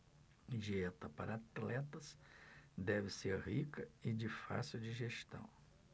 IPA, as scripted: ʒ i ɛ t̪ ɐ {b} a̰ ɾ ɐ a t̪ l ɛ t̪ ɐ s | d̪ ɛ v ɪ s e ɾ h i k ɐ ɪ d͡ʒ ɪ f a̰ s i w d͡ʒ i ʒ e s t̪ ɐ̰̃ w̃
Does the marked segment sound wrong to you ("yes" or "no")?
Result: yes